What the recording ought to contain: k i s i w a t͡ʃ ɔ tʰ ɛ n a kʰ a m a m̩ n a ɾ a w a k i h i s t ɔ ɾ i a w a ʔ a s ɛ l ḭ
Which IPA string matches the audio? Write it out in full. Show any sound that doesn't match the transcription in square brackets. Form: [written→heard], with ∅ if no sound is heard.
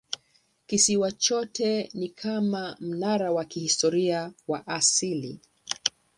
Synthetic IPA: k i s i w a t͡ʃ ɔ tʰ ɛ n [a→i] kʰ a m a m̩ n a ɾ a w a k i h i s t ɔ ɾ i a w a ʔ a s [ɛ→i] l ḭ